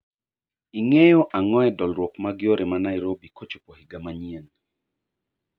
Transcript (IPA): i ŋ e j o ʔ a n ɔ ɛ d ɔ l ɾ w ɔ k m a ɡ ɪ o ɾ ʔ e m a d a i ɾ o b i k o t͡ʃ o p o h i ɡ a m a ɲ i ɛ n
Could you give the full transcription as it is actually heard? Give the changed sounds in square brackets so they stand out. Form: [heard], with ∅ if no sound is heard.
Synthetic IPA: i ŋ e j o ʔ a [ŋ] ɔ ɛ d ɔ l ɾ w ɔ k m a ɡ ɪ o ɾ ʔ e m a [n] a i ɾ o b i k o t͡ʃ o p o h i ɡ a m a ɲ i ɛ n